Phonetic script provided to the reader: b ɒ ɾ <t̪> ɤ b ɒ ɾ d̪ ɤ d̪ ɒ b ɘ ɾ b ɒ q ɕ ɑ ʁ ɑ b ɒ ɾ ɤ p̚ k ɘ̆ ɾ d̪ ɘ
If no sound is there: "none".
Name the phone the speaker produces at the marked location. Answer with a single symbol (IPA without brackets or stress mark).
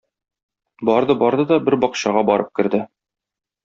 d̪